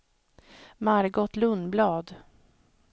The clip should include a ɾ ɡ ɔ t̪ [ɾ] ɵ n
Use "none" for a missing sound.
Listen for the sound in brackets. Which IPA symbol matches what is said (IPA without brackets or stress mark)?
l